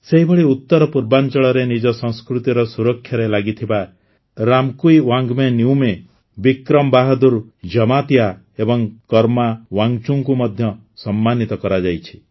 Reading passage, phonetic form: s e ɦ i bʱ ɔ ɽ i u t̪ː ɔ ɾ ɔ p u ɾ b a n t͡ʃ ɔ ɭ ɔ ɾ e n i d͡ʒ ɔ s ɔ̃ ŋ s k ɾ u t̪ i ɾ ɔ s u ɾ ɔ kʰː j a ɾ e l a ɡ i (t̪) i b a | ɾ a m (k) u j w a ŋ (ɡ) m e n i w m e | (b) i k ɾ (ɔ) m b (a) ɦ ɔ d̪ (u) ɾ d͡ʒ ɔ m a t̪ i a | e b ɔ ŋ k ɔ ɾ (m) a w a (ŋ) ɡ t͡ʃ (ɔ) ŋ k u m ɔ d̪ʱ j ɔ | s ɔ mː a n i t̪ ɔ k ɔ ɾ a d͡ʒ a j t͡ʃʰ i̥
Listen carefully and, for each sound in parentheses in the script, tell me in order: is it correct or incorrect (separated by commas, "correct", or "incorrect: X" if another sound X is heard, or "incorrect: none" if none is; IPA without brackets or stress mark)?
incorrect: t̪ʰ, correct, correct, correct, correct, correct, correct, correct, correct, incorrect: u